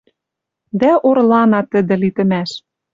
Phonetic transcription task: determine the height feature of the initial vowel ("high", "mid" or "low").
low